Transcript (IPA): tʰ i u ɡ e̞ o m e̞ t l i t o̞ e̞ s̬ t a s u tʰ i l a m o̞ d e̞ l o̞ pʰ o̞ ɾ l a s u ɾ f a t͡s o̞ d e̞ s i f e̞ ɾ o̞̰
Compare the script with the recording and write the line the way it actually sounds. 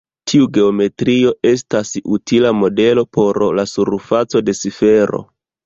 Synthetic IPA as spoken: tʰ i u ɡ e̞ o m e̞ t ɾ i o̞ e̞ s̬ t a s u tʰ i l a m o̞ d e̞ l o̞ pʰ o̞ ɾ l a s u ɾ f a t͡s o̞ d e̞ s i f e̞ ɾ o̞̰